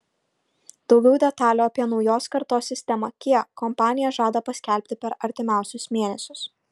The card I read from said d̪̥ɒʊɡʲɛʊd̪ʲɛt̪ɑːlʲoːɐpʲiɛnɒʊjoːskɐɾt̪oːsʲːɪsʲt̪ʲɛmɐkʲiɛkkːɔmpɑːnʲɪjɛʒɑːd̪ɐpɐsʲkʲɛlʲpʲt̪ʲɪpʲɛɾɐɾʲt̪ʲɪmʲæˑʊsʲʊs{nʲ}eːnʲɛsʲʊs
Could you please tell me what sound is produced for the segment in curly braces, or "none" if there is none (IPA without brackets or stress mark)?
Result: mʲ